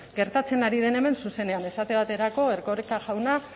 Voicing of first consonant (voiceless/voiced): voiced